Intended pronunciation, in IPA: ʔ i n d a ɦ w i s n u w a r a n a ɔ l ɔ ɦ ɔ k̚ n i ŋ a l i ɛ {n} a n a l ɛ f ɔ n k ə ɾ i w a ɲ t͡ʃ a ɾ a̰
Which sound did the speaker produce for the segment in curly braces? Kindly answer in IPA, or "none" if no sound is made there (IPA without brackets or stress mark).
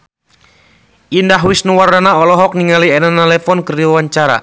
n